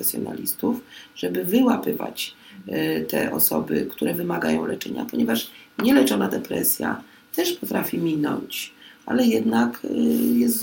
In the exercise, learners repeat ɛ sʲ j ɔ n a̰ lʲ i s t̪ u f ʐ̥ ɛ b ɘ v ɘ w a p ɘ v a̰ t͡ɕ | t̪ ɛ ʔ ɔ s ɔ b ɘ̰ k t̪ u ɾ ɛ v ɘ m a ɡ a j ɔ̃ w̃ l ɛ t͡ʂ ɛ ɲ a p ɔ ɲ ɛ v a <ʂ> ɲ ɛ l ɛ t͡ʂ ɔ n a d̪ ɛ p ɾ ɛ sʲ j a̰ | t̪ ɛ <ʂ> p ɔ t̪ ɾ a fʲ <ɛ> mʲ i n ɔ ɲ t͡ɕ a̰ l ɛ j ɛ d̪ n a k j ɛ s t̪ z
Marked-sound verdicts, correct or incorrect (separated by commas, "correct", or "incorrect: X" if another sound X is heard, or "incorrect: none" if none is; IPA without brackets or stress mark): correct, correct, incorrect: i